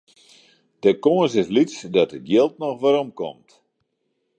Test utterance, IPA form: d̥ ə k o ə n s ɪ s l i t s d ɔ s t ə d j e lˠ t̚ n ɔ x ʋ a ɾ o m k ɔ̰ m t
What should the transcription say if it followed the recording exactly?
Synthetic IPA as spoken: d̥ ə k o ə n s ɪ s l i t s d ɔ t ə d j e lˠ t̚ n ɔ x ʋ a ɾ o m k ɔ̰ m t